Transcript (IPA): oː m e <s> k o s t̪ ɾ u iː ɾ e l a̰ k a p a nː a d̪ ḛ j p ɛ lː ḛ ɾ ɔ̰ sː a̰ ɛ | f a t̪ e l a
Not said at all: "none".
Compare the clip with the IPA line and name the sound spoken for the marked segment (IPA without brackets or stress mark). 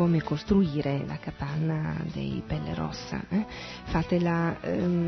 none